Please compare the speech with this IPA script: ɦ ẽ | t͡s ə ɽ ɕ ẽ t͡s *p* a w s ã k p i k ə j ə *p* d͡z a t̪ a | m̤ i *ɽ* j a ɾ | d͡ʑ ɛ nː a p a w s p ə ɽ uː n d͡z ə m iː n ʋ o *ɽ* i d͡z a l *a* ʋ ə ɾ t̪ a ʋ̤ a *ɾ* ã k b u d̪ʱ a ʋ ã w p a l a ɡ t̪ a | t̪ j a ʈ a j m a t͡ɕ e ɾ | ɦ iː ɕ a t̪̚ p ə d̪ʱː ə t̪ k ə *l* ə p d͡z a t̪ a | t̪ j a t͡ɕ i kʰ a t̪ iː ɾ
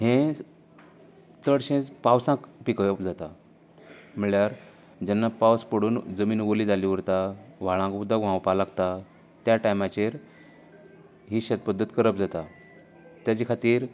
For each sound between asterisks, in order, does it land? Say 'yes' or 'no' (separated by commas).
yes, yes, no, no, no, no, no